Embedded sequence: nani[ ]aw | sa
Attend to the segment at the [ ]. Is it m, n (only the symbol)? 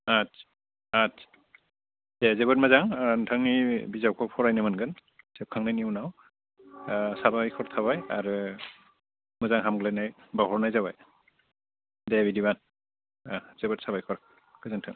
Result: n